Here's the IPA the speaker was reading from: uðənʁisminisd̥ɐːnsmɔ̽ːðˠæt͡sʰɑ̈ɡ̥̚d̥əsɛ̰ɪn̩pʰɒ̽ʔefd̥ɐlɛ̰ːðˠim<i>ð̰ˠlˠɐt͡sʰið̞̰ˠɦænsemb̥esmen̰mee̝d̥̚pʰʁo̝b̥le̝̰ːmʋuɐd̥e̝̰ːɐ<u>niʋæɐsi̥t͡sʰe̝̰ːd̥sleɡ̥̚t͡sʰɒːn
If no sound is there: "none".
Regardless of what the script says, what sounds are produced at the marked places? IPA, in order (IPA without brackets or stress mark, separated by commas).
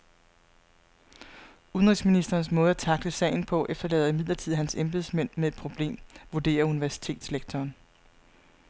i, u